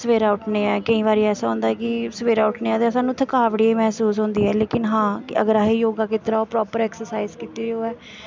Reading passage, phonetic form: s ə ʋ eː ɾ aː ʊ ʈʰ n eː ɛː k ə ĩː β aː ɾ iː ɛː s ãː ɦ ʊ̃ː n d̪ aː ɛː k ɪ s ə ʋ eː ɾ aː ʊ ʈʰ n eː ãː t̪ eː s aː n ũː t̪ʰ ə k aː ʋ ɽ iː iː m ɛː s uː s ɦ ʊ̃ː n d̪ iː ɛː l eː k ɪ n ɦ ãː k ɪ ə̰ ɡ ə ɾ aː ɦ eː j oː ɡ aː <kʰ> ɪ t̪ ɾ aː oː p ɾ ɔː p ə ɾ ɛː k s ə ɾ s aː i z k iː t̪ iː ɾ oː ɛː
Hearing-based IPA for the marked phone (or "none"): k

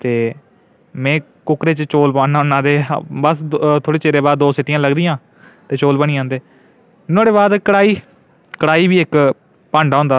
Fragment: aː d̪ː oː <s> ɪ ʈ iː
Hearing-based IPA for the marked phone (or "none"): s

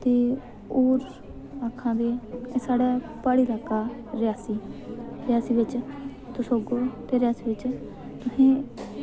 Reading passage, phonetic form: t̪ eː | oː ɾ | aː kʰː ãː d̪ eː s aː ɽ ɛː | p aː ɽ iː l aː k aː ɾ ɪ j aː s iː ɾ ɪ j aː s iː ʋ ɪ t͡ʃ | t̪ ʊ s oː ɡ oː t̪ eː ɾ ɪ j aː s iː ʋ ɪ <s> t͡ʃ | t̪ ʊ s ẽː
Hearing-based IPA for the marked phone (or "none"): none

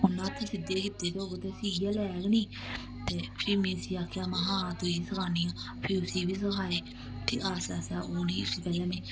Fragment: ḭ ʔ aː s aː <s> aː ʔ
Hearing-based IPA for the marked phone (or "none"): s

